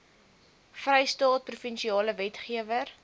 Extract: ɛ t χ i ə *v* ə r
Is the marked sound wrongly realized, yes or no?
no